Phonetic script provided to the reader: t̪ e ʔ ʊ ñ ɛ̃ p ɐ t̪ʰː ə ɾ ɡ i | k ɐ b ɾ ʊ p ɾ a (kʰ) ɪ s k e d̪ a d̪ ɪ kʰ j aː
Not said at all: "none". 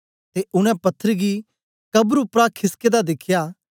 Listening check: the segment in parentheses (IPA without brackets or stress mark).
kʰ